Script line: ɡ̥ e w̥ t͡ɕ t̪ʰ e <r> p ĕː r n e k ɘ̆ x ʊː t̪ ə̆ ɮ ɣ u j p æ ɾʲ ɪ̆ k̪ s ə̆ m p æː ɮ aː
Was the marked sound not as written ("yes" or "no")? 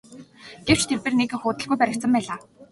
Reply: no